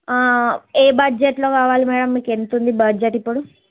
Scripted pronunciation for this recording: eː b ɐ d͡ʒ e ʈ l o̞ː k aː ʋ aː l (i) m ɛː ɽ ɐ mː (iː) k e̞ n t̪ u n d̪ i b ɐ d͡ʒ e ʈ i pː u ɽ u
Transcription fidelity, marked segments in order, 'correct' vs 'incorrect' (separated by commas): correct, correct